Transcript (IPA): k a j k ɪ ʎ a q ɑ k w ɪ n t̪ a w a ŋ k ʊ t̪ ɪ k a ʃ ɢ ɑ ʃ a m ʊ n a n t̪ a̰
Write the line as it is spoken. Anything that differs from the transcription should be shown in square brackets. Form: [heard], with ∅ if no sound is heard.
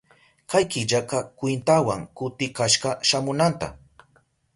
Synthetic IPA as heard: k a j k ɪ ʎ a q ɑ k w ɪ n t̪ a w a ŋ k ʊ t̪ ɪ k a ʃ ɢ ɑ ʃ a m ʊ n a n t̪ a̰